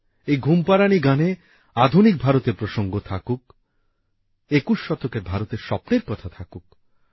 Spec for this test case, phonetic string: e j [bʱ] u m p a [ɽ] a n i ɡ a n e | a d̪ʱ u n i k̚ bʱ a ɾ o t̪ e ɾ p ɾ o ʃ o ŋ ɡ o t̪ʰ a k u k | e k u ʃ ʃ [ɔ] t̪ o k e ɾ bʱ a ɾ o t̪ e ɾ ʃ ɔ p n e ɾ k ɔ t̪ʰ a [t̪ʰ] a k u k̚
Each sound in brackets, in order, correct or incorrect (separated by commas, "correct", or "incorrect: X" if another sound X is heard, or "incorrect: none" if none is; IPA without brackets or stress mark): incorrect: ɡʱ, incorrect: ɾ, correct, correct